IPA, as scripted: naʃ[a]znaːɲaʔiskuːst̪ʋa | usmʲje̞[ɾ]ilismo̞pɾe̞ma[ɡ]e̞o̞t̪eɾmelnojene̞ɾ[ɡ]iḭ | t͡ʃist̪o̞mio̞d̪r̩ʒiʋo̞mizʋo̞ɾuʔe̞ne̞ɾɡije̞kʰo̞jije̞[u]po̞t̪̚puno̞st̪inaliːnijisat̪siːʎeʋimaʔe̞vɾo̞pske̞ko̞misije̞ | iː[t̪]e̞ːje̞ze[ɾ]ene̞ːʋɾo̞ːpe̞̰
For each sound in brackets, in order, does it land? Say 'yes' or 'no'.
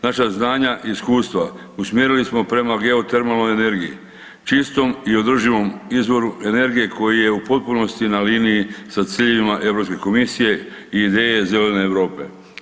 yes, yes, yes, yes, yes, no, no

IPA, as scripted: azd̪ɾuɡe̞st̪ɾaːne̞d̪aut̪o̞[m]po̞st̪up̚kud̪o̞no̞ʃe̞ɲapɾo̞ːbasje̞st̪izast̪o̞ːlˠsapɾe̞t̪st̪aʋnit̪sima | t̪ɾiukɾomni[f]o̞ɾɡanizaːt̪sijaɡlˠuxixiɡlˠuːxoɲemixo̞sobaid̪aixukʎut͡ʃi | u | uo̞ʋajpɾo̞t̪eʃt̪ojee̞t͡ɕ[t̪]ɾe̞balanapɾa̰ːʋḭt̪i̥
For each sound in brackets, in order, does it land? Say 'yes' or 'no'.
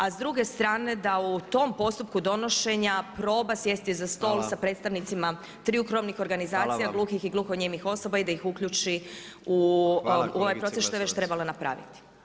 yes, no, yes

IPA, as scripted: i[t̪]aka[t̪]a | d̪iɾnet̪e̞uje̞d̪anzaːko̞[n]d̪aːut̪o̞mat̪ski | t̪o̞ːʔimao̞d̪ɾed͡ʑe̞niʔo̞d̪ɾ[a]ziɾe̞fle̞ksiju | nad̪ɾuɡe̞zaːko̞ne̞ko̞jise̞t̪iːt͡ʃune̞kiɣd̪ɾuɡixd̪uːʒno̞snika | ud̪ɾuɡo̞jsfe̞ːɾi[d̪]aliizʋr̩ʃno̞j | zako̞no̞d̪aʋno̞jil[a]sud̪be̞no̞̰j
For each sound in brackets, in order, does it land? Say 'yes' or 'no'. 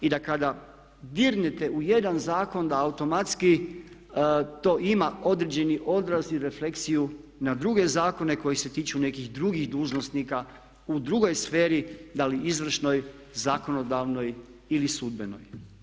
no, no, yes, yes, yes, no

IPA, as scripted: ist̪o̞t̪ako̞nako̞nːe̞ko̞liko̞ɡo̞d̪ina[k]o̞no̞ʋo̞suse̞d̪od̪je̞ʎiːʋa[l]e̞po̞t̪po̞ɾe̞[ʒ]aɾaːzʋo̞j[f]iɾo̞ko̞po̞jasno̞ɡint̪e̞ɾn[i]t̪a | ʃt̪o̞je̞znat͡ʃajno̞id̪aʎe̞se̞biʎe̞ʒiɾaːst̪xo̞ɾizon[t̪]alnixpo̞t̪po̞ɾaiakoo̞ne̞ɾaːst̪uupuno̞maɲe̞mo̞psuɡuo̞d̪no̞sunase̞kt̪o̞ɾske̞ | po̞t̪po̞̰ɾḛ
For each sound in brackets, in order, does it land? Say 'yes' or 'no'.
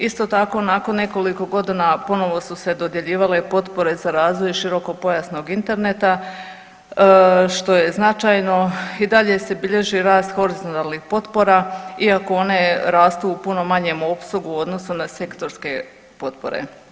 no, yes, no, no, no, yes

